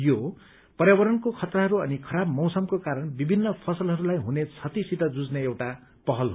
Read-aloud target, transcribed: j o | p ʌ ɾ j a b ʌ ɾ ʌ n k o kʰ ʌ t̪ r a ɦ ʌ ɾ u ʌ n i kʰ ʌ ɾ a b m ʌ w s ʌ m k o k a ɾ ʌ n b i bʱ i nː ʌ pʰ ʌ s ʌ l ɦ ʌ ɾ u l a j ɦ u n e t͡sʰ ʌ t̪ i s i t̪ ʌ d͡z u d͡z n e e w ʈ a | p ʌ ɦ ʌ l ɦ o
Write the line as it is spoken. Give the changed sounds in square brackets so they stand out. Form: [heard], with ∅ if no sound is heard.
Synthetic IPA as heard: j o | p ʌ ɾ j a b ʌ ɾ ʌ n k o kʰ ʌ t̪ r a ɦ ʌ ɾ u ʌ n i kʰ ʌ ɾ a b m ʌ w s ʌ m k o k a ɾ ʌ n b i bʱ i nː ʌ pʰ ʌ s ʌ l ɦ ʌ ɾ u l a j ɦ u n e t͡sʰ ʌ t̪ i s i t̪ ʌ d͡z u d͡z n e e w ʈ a | p ʌ ɦ ʌ l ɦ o

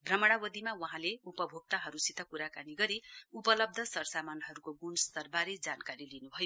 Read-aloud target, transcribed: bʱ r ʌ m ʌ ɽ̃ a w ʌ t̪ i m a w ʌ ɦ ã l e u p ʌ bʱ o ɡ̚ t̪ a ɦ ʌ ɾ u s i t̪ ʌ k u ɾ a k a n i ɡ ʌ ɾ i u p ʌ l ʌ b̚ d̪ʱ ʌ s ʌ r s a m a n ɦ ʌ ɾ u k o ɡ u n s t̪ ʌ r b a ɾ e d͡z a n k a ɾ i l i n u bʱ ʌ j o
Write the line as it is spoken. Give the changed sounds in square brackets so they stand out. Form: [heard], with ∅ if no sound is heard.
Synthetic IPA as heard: bʱ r ʌ m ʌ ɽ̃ a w ʌ [d̪] i m a w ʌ ɦ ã l e u p ʌ bʱ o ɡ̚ t̪ a ɦ ʌ ɾ u s i t̪ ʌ k u ɾ a k a n i ɡ ʌ ɾ i u p ʌ l ʌ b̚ d̪ʱ ʌ s ʌ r s a m a n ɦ ʌ ɾ u k o ɡ u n s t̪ ʌ r b a ɾ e d͡z a n k a ɾ i l i n u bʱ ʌ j o

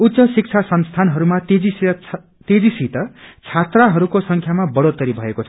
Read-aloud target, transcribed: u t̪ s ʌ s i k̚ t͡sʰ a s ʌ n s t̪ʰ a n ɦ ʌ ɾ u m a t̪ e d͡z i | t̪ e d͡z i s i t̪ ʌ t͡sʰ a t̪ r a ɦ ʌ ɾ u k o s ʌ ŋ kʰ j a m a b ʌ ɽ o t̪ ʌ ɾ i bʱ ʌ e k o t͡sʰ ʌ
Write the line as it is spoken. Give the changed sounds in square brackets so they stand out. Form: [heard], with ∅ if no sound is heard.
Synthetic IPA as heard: u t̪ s ʌ s i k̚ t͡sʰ a s ʌ n s t̪ʰ a n ɦ ʌ ɾ u m a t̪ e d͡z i | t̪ e d͡z i s i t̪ ʌ t͡sʰ a t̪ r a ɦ ʌ ɾ u k o s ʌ ŋ kʰ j a m a b ʌ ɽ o t̪ ʌ ɾ i bʱ ʌ e k o t͡sʰ ʌ

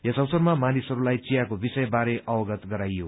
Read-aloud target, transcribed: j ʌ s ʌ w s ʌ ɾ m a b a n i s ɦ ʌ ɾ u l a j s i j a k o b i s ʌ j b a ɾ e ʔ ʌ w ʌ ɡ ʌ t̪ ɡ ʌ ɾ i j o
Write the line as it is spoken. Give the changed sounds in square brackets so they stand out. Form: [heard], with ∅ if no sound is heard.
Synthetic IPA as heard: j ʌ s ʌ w s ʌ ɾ m a [m] a n i s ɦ ʌ ɾ u l a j [t͡s] i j a k o b i s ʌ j b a ɾ e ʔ ʌ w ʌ ɡ ʌ t̪ ɡ ʌ ɾ [a] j o

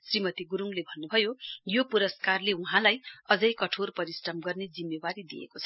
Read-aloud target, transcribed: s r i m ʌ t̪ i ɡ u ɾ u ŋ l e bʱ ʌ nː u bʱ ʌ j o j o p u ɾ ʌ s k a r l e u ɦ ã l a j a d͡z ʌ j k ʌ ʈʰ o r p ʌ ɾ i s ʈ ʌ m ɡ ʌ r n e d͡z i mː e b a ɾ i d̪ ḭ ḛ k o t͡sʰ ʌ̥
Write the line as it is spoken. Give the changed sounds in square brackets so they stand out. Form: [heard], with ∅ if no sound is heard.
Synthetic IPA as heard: s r i m ʌ t̪ i ɡ u ɾ u ŋ l e bʱ ʌ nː u bʱ ʌ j o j o p u ɾ ʌ s k a r l e u ɦ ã l a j [ʌ] d͡z ʌ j k ʌ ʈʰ o r p ʌ ɾ i s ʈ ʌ m ɡ ʌ r n e d͡z i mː e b a ɾ i d̪ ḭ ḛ k o t͡sʰ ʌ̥

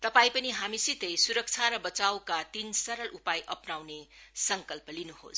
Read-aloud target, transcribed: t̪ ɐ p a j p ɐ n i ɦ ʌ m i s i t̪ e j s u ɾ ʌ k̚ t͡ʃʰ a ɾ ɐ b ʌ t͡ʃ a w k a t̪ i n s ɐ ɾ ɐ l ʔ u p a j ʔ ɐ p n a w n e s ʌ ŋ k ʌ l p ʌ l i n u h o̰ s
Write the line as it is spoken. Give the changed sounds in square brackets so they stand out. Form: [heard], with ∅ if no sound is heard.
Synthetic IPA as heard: t̪ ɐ p a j p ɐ n i ɦ [a] m i s i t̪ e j s u ɾ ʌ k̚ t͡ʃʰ a ɾ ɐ b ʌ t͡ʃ a w k a t̪ i n s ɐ ɾ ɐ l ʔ u p a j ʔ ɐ p n a w n e s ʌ ŋ k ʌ l p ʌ l i n u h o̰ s

